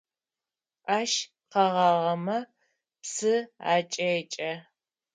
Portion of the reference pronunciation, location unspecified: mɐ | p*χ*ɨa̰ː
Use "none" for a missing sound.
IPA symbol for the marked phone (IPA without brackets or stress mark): s